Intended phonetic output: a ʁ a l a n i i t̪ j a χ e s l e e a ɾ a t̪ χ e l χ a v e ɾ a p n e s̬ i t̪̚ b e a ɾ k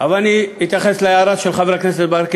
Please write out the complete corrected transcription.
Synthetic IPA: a v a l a n i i t̪ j a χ e s l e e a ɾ a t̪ ʃ e l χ a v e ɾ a k n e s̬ e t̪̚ b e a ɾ k

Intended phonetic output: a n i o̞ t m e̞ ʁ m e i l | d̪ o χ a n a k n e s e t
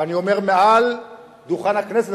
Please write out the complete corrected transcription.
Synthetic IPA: a n i o̞ m e̞ ʁ m e a l | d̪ u χ a n a k n e s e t

